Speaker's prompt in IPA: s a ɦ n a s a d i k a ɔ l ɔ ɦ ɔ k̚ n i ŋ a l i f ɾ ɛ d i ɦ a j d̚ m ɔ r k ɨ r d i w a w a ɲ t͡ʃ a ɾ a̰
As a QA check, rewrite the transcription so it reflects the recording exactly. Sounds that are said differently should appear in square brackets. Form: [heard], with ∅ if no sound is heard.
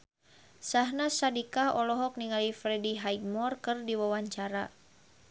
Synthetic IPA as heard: s a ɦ n a s a d i k a ɔ l ɔ ɦ ɔ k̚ n i ŋ a l i f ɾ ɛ d i ɦ a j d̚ m ɔ r k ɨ r d i w a w a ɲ t͡ʃ a ɾ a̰